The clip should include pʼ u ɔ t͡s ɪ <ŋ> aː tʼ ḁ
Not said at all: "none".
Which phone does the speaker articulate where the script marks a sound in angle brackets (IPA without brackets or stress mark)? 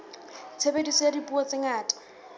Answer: ŋ